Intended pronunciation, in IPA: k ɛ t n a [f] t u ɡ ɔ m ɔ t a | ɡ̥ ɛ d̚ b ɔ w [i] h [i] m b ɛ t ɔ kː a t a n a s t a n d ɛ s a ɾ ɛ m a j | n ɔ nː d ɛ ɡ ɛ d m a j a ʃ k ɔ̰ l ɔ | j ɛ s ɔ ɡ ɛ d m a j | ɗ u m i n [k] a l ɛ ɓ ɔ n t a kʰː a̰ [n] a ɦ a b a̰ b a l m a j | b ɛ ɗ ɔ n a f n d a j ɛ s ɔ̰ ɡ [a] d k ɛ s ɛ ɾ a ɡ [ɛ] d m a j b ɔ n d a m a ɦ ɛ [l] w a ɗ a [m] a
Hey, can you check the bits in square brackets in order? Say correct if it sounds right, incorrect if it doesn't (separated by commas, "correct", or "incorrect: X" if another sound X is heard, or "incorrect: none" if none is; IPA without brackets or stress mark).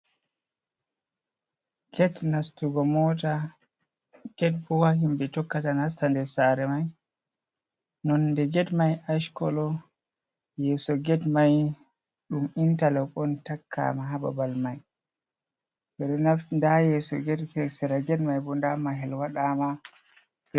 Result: incorrect: s, incorrect: a, correct, incorrect: t, incorrect: m, incorrect: ɛ, correct, correct, correct